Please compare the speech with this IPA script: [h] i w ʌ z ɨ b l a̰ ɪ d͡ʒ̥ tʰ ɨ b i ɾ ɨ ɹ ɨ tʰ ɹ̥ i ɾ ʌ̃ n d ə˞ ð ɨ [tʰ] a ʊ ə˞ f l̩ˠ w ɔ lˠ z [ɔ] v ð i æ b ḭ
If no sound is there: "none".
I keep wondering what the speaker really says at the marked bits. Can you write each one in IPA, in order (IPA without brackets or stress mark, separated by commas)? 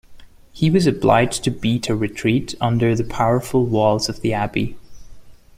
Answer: h, pʰ, ʌ